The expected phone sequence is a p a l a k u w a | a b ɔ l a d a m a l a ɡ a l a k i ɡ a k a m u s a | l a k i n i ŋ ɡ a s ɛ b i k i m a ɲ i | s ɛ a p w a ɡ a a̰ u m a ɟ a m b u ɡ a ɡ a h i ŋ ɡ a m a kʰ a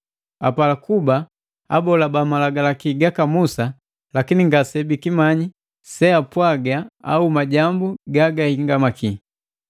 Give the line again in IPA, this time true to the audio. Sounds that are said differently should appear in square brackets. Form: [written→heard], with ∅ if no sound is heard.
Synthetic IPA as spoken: a p a l a k u [w→b] a | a b ɔ l a [d→b] a m a l a ɡ a l a k i ɡ a k a m u s a | l a k i n i ŋ ɡ a s ɛ b i k i m a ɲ i | s ɛ a p w a ɡ a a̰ u m a ɟ a m b u ɡ a ɡ a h i ŋ ɡ a m a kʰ [a→i]